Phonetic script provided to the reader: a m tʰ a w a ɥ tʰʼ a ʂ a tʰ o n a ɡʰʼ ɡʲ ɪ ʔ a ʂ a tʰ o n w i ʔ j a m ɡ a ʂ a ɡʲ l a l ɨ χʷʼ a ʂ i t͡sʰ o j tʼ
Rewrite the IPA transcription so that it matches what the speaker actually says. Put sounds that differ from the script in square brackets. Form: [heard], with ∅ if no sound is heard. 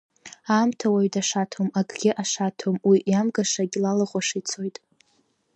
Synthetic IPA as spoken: a m tʰ a w a ɥ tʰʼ a ʂ a tʰ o [m] a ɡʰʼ ɡʲ ɪ ʔ a ʂ a tʰ o [m] w i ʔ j a m ɡ a ʂ a ɡʲ l a l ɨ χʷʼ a ʂ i t͡sʰ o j tʼ